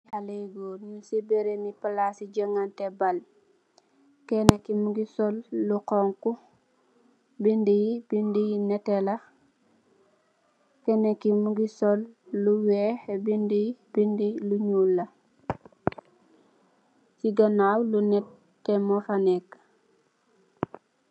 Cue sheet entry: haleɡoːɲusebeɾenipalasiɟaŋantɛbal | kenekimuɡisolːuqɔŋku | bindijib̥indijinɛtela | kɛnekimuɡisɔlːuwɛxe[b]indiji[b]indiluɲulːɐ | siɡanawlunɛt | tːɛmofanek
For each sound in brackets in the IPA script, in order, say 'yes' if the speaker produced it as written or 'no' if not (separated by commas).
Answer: yes, yes